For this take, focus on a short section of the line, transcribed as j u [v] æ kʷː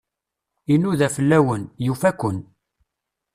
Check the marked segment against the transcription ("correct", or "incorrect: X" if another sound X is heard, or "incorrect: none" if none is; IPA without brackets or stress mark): incorrect: f